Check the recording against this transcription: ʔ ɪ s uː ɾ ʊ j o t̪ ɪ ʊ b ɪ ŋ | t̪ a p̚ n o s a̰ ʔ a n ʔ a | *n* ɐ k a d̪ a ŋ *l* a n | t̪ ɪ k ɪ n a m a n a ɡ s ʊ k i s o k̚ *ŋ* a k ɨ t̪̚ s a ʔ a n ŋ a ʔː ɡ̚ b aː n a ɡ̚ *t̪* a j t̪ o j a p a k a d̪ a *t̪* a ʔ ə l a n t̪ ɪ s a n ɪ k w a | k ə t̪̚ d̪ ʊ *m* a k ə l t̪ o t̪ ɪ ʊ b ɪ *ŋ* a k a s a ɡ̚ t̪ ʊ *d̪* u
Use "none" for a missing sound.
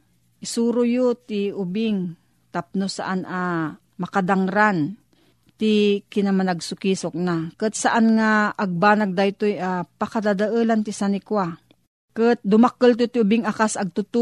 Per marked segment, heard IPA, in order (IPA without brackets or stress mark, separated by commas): m, ɾ, n, d̪, d̪, m, ŋ, t̪